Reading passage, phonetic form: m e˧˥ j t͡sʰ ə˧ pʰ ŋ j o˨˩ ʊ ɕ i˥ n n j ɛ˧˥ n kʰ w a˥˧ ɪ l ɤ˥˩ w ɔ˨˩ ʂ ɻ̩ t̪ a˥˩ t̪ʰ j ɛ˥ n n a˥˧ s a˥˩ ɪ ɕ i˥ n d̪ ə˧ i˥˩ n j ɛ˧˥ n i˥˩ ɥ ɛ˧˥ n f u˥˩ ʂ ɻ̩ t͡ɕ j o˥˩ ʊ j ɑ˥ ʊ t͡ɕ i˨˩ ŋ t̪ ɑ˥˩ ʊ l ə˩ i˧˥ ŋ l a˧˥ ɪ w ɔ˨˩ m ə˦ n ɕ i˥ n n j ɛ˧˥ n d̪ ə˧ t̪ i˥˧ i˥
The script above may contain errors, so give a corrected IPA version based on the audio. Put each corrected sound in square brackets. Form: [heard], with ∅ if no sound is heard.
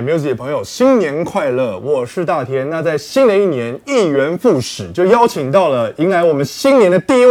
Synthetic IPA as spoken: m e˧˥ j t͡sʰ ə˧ pʰ ŋ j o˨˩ ʊ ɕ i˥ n n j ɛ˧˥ n kʰ w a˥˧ ɪ l ɤ˥˩ w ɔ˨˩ ʂ ɻ̩ t̪ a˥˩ t̪ʰ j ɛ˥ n n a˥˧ [t͡s] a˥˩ ɪ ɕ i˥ n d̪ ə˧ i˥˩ n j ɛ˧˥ n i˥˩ ɥ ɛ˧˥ n f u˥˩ ʂ ɻ̩ t͡ɕ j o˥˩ ʊ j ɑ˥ ʊ [t͡ɕʰ] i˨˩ ŋ t̪ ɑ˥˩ ʊ l ə˩ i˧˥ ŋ l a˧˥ ɪ w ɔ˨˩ m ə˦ n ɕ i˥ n n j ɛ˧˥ n d̪ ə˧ t̪ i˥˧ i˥